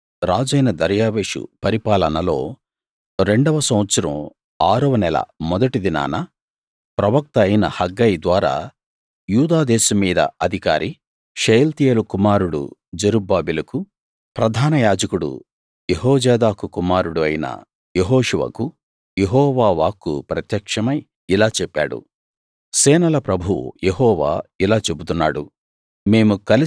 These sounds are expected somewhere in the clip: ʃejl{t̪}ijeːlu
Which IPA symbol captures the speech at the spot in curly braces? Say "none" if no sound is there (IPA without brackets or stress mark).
t̪